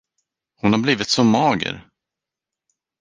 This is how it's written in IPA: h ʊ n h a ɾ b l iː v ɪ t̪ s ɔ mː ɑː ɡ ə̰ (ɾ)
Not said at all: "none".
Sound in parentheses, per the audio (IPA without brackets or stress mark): ɾ